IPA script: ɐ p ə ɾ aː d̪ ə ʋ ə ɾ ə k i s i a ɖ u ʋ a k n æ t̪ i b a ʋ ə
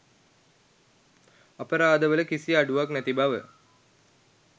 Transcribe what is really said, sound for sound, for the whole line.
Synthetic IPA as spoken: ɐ p ə ɾ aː d̪ ə ʋ ə l ə k i s i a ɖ u ʋ a k n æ t̪ i b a ʋ ə